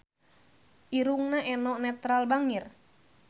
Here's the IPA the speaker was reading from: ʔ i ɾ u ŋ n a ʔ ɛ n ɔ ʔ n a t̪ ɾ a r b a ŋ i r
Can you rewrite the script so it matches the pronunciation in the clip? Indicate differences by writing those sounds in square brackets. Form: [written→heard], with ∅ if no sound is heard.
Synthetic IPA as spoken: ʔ i ɾ u ŋ n a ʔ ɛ n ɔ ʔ n [a→ɛ] t̪ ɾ a [r→l] b a ŋ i r